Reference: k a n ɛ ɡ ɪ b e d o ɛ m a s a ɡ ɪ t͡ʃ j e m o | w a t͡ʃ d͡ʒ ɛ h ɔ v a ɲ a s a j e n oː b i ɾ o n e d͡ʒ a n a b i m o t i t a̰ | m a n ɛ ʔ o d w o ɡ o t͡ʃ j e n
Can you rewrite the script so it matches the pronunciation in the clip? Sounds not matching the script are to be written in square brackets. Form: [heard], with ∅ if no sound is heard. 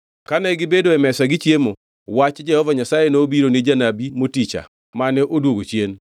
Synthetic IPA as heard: k a n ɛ ɡ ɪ b e d o ɛ m [ɛ] s a ɡ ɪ t͡ʃ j e m o | w a t͡ʃ d͡ʒ ɛ h ɔ v a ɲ a s a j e n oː b i ɾ o n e d͡ʒ a n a b i m o t i [t͡ʃ] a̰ | m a n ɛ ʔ o d w o ɡ o t͡ʃ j e n